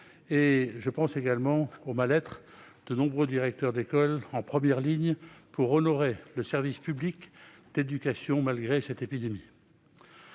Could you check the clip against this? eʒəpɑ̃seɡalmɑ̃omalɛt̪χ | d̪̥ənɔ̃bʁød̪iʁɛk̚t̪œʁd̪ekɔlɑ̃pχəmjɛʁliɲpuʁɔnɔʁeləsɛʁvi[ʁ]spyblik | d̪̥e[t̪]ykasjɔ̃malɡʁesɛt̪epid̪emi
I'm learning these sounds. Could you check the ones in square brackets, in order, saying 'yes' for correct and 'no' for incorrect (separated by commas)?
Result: no, no